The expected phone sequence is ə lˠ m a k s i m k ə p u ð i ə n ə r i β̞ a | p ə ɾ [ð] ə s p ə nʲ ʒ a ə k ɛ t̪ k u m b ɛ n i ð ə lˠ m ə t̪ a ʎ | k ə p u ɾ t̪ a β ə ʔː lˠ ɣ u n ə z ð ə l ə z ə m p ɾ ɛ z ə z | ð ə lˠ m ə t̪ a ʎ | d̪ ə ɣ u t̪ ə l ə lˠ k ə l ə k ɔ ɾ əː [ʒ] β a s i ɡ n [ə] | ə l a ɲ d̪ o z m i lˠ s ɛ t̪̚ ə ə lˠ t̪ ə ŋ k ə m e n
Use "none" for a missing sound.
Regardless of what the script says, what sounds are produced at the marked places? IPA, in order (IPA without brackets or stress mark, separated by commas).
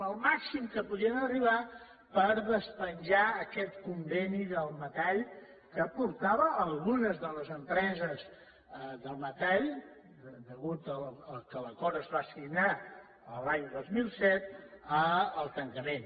ð, z, a